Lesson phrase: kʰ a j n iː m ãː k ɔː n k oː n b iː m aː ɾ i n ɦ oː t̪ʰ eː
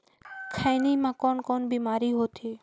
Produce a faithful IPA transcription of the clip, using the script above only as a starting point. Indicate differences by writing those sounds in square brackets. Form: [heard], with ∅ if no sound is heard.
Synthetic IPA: kʰ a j n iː m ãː k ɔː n k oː n b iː m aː ɾ i [∅] ɦ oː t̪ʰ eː